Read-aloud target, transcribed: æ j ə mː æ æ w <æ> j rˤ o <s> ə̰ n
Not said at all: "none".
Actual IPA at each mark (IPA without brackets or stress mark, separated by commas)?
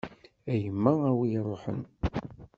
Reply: i, ħ